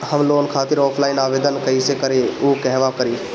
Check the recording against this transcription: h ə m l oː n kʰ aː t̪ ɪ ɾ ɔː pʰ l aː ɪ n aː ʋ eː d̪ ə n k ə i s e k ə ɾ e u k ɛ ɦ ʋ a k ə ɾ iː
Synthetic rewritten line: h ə m l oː n kʰ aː t̪ ɪ ɾ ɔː pʰ l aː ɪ n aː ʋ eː d̪ ə n k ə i s e k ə ɾ e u k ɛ ɦ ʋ a k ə ɾ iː

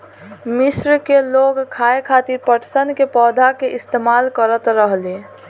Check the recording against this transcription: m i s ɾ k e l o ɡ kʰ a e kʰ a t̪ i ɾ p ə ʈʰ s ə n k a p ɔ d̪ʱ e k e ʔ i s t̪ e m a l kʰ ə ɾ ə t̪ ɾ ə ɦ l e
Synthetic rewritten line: m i s ɾ k e l o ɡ kʰ a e kʰ a t̪ i ɾ p ə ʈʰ s ə n k e p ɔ d̪ʱ a k e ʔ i s t̪ e m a l k ə ɾ ə t̪ ɾ ə ɦ l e

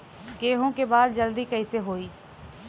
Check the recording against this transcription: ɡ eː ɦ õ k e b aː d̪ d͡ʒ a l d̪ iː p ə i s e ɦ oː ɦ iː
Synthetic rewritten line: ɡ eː ɦ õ k e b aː d̪ d͡ʒ ə l d̪ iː k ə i s e ɦ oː iː

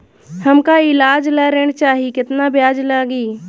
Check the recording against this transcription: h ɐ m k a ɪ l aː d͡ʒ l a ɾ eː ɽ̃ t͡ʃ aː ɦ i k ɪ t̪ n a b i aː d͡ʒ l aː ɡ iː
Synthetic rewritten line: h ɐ m k a ɪ l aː d͡ʒ l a ɾ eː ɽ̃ t͡ʃ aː ɦ i k ɪ t̪ n a b j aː d͡ʒ l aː ɡ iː

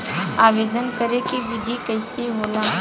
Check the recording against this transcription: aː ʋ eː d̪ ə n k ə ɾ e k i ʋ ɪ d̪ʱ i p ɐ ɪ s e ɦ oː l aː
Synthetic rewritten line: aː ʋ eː d̪ ə n k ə ɾ e k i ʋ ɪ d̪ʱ i k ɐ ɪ s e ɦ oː l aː

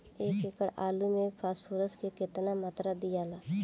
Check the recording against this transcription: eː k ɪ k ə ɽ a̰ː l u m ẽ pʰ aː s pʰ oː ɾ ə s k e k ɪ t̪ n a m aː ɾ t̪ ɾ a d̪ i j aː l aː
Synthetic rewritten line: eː k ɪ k ə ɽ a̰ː l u m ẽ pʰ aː s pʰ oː ɾ ə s k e k ɪ t̪ n a m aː t̪ ɾ a d̪ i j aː l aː

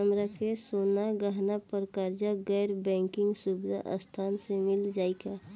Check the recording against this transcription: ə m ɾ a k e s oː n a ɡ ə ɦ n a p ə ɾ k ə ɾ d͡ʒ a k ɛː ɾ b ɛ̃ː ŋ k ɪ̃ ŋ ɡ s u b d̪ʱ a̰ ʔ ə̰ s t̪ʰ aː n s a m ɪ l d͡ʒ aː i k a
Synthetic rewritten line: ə m ɾ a k e s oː n a ɡ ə ɦ n a p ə ɾ k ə ɾ d͡ʒ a ɡ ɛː ɾ b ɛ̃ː ŋ k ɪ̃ ŋ ɡ s u b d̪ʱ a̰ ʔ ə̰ s t̪ʰ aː n s e m ɪ l d͡ʒ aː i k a

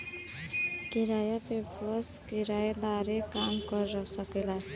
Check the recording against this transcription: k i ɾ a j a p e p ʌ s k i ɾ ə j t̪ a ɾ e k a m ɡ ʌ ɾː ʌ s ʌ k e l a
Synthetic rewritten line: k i ɾ a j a p e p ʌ s k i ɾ a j d̪ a ɾ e k a m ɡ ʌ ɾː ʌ s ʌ k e l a

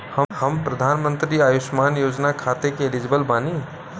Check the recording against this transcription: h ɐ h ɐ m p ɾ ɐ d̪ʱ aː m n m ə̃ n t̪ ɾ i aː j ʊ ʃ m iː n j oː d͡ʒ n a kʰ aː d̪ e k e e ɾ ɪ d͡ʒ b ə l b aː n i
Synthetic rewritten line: h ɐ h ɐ m p ɾ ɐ d̪ʱ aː n m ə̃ n t̪ ɾ i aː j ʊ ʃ m aː n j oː d͡ʒ n a kʰ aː t̪ e k e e l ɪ d͡ʒ b ə l b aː n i

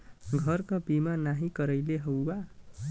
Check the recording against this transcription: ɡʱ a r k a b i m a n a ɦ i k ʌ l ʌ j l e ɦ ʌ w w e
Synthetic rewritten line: ɡʱ ʌ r k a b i m a n a ɦ i k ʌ ɾ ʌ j l e ɦ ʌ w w a

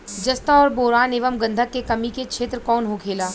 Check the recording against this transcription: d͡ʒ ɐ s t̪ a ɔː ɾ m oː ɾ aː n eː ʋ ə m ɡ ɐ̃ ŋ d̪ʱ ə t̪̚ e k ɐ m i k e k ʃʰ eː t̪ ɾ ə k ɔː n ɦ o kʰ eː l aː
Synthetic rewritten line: d͡ʒ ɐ s t̪ a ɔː ɾ b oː ɾ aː n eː ʋ ə m ɡ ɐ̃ n d̪ʱ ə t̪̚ e k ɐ m i k e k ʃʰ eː t̪ ɾ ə k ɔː n ɦ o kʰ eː l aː

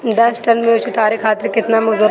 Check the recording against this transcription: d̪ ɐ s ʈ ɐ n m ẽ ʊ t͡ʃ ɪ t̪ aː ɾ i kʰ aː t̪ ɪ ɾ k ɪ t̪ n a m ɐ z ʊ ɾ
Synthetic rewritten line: d̪ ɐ s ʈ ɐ n m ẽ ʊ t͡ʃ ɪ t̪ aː ɾ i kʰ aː t̪ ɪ ɾ k ɪ t̪ n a m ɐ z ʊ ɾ

